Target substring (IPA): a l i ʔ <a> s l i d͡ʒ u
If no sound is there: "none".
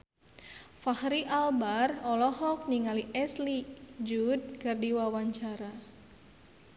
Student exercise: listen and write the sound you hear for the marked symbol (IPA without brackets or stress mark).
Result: ɛ